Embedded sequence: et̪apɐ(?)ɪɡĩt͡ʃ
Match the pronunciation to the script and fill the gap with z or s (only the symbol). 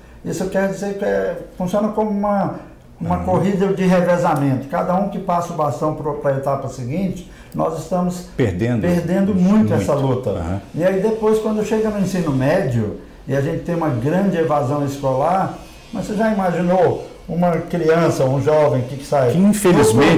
s